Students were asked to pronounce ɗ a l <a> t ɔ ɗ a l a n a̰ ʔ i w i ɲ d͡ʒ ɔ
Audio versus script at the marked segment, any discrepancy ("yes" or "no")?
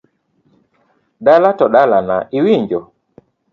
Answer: no